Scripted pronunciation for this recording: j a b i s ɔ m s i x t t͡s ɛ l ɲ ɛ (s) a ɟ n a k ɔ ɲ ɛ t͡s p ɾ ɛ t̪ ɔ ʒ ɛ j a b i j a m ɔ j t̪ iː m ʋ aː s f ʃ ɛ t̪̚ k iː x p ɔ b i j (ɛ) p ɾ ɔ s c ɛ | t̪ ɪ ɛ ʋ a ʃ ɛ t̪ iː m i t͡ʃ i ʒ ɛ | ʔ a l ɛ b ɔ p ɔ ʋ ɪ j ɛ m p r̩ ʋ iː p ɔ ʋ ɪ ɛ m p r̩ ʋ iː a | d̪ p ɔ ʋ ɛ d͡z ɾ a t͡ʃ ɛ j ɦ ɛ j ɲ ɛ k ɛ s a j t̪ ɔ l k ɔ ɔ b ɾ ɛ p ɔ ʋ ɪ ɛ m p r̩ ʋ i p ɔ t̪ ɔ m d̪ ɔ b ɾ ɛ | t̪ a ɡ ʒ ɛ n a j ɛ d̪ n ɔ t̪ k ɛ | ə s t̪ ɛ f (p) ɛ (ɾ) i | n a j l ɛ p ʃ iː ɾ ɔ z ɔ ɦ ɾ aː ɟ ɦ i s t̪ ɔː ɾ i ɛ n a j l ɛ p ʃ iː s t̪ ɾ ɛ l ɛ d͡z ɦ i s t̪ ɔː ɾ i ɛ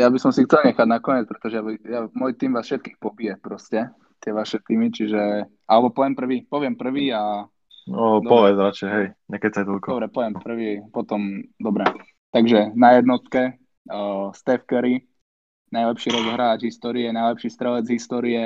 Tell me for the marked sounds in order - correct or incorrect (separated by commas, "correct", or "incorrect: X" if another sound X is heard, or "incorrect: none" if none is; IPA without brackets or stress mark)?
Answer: incorrect: x, correct, incorrect: k, correct